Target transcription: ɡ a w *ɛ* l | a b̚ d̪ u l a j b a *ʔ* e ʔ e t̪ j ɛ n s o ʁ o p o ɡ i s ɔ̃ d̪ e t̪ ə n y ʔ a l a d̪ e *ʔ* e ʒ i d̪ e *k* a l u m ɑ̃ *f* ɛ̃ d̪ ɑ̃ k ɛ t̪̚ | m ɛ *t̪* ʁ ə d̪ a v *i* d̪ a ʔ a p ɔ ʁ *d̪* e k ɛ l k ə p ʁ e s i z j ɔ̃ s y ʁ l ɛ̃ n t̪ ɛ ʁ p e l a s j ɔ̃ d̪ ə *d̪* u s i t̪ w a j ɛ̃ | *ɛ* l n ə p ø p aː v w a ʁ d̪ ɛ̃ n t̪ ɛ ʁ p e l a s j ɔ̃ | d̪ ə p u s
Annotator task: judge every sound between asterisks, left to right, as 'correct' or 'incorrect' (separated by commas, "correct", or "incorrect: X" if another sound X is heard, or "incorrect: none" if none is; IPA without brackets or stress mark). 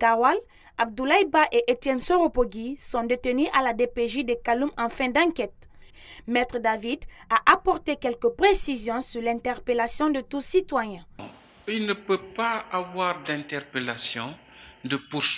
incorrect: a, correct, incorrect: p, correct, correct, correct, correct, incorrect: t̪, incorrect: t̪, incorrect: i